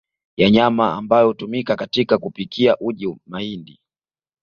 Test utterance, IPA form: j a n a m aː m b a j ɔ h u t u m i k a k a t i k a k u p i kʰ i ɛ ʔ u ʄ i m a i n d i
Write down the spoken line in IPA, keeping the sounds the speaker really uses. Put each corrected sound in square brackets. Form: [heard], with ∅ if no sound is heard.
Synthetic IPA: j a [ɲ] a m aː m b a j ɔ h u t u m i k a k a t i k a k u p i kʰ i [a] ʔ u ʄ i m a i n d i